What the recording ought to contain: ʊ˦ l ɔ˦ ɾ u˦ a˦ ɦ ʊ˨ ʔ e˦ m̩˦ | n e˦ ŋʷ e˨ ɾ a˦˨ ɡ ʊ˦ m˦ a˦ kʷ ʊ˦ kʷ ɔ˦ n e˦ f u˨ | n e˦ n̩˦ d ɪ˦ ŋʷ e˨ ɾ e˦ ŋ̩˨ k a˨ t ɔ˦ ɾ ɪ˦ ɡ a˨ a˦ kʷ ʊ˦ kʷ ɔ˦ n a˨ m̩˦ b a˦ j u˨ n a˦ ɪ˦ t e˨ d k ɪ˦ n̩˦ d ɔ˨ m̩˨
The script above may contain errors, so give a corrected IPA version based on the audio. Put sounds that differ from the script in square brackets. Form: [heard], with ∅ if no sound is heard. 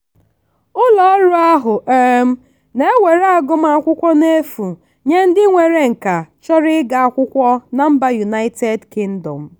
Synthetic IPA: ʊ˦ l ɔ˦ ɾ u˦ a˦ ɦ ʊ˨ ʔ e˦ m̩˦ | n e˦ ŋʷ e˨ ɾ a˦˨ ɡ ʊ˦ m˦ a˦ kʷ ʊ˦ kʷ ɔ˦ n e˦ f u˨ | [ɲ] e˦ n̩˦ d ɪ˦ ŋʷ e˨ ɾ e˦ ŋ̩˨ k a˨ [t͡ʃ] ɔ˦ ɾ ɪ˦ ɡ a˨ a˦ kʷ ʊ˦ kʷ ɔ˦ n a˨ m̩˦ b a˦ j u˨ n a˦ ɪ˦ t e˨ d k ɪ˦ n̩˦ d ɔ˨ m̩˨